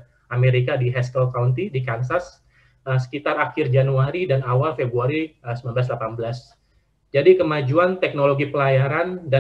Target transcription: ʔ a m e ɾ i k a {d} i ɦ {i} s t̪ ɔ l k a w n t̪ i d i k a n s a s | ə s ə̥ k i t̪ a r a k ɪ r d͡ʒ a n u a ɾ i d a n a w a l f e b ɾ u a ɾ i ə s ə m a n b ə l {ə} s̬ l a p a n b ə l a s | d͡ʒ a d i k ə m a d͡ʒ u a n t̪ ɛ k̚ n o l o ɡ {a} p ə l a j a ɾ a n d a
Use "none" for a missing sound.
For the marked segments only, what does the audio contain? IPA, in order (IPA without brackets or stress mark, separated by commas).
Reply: d, ɛ, a, i